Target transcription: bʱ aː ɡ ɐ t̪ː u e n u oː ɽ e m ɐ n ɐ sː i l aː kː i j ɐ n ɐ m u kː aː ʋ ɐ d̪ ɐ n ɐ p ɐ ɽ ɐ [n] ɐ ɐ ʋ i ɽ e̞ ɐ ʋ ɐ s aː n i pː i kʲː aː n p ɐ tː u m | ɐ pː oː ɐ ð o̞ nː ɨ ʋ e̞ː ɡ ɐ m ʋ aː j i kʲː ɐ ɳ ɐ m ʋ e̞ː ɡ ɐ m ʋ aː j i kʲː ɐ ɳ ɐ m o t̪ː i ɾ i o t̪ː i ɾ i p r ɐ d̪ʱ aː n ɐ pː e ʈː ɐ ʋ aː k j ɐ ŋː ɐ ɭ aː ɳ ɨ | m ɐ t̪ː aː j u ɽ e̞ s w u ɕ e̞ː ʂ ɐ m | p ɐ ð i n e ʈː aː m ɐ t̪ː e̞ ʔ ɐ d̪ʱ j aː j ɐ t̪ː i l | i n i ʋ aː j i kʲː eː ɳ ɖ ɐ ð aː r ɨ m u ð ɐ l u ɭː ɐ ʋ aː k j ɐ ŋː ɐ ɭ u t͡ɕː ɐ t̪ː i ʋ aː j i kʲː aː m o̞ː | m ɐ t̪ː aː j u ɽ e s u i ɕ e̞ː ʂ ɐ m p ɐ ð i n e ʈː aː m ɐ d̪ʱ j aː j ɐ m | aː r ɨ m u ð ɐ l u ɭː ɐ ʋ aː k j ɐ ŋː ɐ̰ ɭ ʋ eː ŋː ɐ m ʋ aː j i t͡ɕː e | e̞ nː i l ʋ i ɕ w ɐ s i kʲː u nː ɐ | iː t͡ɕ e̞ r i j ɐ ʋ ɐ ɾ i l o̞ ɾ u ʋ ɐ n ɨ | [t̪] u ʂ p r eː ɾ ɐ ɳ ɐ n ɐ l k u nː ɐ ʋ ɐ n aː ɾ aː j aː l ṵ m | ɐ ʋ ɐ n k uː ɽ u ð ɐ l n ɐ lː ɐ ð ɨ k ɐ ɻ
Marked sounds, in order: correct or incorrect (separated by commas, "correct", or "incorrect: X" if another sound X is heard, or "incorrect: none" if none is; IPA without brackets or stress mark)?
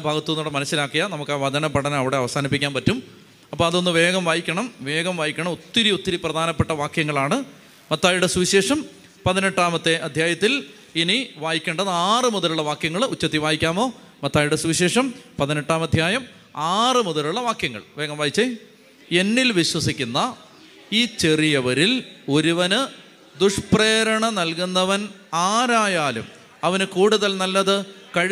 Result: correct, incorrect: d̪